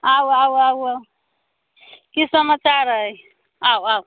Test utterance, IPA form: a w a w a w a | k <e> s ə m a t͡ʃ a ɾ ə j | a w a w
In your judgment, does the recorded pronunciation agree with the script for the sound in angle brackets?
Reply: no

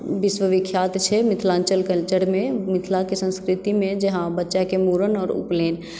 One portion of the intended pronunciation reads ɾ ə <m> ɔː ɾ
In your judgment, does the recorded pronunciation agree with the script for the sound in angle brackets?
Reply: no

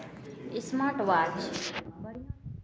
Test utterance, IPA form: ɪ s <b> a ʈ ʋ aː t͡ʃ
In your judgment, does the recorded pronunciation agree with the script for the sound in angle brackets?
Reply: no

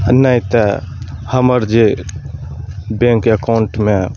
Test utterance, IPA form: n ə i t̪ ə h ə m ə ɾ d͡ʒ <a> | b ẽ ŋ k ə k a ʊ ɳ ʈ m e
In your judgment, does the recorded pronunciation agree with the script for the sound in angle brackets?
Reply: no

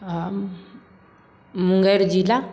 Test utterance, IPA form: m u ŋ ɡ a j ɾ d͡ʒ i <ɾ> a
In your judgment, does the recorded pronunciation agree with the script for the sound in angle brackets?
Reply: no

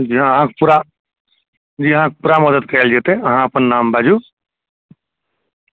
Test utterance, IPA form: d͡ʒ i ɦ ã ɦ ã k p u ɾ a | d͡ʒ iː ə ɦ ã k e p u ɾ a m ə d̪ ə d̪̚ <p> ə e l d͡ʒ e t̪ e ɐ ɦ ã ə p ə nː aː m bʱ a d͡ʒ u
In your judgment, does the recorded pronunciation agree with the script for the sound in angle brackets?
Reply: no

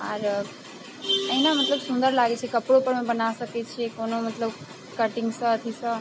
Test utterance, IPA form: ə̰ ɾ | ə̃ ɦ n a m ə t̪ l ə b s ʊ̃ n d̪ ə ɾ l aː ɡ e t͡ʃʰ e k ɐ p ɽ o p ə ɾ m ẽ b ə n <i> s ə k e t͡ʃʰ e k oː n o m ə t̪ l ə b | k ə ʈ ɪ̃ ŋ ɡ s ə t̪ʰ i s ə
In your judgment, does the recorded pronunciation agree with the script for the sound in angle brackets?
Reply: no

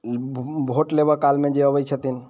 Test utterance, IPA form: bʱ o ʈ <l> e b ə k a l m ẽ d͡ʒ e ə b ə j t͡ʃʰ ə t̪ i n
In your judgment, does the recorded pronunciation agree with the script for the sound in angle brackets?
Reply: yes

